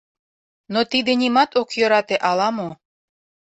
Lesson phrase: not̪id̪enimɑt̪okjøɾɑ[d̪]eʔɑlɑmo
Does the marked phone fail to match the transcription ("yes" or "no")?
yes